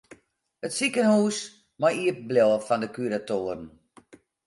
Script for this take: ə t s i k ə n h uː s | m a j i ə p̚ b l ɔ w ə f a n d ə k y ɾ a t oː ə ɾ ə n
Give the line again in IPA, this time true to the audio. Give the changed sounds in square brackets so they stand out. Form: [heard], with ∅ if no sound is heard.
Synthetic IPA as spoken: ə t s i k ə n h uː s | m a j i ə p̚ b l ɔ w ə f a n d ə k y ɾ a t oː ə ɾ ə n